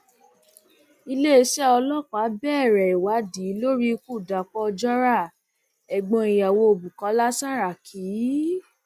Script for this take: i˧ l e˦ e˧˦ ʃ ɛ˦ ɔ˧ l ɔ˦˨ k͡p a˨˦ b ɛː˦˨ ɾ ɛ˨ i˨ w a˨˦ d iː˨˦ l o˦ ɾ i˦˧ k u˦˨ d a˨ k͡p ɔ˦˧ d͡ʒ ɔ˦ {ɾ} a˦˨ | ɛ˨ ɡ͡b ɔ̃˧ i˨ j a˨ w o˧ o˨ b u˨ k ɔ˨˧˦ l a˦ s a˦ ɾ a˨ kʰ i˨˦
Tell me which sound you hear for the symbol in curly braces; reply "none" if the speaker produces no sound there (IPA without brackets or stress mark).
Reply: ɾ